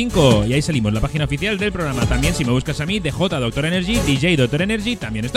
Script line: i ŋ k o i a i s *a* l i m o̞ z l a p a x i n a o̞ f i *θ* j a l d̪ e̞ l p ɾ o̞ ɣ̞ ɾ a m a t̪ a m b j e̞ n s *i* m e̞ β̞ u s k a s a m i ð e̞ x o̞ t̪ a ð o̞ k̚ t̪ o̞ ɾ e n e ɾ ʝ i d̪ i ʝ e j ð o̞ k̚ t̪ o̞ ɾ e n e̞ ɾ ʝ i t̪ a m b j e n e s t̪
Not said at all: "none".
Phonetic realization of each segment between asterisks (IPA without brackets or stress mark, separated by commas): a, θ, i